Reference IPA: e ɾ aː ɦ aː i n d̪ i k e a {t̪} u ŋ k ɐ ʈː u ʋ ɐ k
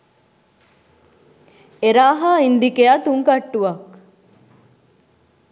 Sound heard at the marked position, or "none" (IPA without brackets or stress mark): t̪